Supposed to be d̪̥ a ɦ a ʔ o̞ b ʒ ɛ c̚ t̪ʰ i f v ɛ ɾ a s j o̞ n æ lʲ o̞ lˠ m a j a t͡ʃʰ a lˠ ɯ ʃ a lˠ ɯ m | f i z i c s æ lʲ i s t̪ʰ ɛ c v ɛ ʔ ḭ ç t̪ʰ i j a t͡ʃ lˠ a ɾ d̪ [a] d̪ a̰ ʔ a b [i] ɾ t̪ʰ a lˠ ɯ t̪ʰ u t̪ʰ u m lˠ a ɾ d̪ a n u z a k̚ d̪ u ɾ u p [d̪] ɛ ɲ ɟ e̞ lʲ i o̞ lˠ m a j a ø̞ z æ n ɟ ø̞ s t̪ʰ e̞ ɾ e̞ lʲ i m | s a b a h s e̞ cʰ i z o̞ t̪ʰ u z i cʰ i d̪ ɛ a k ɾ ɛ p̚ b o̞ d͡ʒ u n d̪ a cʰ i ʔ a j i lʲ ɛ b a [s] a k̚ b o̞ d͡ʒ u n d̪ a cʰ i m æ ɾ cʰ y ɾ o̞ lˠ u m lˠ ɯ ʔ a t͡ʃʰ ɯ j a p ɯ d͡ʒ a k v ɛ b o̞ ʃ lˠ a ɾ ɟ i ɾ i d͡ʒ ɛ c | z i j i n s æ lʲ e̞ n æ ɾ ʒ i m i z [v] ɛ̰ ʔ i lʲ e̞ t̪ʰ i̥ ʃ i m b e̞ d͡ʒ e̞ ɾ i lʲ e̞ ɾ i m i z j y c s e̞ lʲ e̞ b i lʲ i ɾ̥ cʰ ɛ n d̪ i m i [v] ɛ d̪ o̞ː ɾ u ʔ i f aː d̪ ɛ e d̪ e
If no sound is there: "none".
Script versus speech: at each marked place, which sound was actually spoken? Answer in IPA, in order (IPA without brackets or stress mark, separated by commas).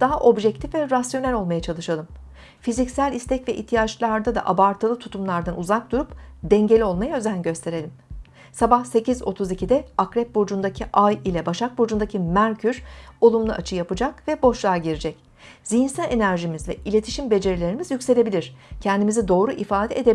a, a, d̪, ʃ, v, z